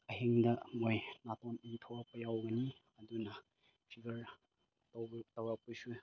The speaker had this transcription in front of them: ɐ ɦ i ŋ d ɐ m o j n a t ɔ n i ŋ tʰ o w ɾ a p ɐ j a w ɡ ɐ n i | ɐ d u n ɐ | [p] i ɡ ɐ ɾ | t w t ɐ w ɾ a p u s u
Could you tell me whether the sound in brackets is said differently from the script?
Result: yes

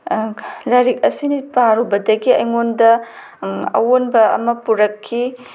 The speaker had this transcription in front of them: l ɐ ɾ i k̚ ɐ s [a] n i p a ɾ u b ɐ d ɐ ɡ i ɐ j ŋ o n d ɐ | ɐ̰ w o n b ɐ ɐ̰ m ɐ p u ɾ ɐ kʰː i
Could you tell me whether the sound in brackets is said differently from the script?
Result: yes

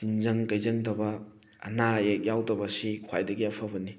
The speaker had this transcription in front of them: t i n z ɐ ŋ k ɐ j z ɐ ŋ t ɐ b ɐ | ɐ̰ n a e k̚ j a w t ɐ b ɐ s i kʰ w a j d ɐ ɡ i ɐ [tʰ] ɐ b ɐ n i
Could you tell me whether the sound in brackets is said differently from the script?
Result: yes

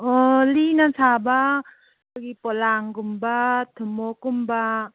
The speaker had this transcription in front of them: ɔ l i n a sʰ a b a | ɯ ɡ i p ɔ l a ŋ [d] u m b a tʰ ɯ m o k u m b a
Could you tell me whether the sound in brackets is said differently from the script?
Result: yes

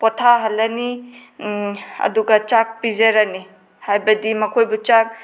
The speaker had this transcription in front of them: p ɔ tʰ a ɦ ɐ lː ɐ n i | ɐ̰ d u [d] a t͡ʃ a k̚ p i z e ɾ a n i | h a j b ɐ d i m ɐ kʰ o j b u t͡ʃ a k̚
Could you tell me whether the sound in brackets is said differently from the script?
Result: yes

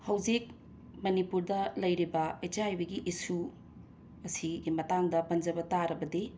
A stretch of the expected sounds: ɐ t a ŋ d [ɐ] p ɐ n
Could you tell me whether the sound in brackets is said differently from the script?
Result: no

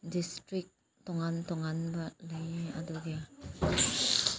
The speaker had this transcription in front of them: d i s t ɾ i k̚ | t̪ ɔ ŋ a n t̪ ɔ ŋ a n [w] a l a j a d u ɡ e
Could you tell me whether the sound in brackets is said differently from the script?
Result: yes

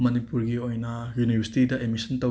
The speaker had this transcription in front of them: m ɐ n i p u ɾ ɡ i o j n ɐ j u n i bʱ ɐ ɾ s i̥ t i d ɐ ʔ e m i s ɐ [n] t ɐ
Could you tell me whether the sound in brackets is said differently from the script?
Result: no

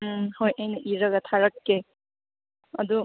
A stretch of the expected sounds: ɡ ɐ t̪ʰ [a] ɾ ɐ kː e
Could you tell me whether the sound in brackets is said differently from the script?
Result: no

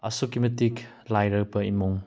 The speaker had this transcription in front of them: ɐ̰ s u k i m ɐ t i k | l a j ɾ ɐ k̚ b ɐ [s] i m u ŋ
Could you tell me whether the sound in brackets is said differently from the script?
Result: yes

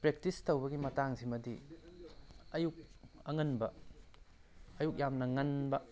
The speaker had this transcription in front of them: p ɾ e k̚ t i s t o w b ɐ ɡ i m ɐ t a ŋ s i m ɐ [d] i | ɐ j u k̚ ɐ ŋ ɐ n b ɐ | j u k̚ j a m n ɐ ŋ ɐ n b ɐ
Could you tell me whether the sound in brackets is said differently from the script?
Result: no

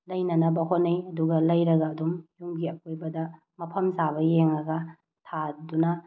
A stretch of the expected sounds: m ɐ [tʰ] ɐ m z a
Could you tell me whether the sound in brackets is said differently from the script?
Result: yes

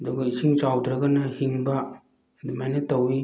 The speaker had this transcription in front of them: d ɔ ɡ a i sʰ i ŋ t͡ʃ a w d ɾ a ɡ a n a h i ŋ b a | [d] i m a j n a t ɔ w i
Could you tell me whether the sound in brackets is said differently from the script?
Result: no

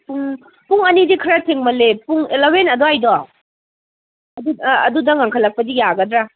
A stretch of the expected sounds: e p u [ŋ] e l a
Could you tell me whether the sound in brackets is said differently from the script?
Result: no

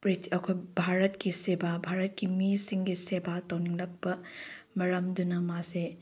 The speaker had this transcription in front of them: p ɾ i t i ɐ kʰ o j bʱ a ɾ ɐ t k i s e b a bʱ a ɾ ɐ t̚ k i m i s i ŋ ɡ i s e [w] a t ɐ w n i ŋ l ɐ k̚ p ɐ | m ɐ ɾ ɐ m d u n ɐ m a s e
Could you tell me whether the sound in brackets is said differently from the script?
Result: yes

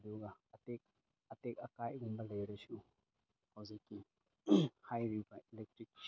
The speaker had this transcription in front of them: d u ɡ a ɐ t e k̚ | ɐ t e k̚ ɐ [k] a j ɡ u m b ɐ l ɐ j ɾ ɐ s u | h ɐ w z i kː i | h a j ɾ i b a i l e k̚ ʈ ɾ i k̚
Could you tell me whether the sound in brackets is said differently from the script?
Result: no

